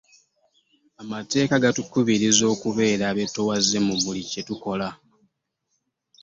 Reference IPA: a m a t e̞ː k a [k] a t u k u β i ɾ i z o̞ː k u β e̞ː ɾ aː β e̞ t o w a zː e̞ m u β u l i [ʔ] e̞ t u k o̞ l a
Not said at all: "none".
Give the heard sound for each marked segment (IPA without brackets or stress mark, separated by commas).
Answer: ɡ, c